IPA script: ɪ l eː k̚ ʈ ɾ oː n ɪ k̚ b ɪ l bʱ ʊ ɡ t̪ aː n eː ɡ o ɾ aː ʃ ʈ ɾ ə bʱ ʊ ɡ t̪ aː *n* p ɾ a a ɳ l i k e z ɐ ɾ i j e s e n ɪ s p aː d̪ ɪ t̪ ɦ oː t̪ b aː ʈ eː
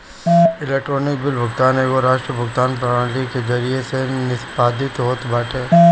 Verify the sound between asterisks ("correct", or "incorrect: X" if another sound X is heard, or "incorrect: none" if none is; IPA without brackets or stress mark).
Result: correct